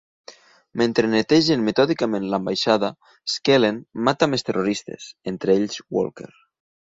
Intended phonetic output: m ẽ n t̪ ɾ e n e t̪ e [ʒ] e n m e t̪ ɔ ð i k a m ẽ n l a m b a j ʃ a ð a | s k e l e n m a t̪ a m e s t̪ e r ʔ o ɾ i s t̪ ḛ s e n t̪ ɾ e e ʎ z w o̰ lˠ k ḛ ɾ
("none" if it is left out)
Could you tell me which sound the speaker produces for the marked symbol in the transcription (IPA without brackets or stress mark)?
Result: ʒ